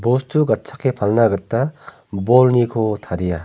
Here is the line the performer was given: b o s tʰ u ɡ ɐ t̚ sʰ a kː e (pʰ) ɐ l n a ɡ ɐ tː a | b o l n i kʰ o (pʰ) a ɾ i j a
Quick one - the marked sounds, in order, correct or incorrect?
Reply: correct, incorrect: tʰ

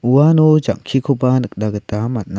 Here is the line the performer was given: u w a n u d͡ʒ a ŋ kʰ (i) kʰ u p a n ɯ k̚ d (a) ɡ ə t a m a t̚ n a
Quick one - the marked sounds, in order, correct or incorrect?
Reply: correct, correct

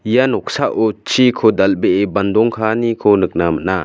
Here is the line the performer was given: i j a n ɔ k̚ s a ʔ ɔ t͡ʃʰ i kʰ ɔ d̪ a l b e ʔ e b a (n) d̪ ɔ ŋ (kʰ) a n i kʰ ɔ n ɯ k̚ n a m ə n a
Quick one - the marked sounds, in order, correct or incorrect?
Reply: correct, correct

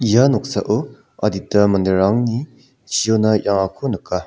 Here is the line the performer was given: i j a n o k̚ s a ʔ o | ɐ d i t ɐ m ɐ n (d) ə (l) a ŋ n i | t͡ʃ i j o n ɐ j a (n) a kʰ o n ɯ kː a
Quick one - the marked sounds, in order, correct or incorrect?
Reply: correct, incorrect: ɾ, incorrect: ŋ

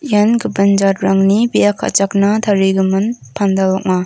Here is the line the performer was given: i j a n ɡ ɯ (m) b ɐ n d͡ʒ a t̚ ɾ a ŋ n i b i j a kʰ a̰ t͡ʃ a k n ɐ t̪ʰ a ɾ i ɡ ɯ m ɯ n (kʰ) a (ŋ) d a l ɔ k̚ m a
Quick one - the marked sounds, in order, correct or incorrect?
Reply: incorrect: none, incorrect: pʰ, incorrect: n

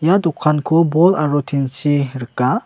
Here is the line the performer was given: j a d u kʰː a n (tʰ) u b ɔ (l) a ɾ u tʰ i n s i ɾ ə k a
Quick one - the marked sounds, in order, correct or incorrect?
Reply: incorrect: kʰ, correct

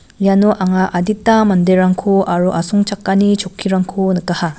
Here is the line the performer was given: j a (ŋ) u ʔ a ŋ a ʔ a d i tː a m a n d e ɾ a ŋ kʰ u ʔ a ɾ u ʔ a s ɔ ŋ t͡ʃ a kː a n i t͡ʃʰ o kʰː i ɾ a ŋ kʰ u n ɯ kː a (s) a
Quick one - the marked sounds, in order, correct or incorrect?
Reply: incorrect: n, incorrect: h

